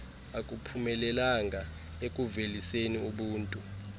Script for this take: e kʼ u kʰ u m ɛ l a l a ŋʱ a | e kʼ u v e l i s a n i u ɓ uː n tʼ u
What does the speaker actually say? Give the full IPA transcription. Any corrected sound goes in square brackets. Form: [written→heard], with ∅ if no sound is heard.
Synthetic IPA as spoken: [e→a] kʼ u [kʰ→pʰ] u m ɛ l [a→ɛ] l a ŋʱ a | e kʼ u v e l i s [a→e] n i u ɓ uː n tʼ u